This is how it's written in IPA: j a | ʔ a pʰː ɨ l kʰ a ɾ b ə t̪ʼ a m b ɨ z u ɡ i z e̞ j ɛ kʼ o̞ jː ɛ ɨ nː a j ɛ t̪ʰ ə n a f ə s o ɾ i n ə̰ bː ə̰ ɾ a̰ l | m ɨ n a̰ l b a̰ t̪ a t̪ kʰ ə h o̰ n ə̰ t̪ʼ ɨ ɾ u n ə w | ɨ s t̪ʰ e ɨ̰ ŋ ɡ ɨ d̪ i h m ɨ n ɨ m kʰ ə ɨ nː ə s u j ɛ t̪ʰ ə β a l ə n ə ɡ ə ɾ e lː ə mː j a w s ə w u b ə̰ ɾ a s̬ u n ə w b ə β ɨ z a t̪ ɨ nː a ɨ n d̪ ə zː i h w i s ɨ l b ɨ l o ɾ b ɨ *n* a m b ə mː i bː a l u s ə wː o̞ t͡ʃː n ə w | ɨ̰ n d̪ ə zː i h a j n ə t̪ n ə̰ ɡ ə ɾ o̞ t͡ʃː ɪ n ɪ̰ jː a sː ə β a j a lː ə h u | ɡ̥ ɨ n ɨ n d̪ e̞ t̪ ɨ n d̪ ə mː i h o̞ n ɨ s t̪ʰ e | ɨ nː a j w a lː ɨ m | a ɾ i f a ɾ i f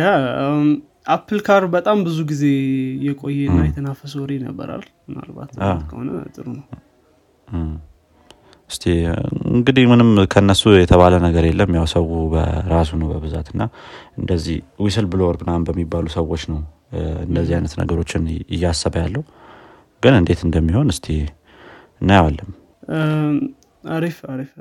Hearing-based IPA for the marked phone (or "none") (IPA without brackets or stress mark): n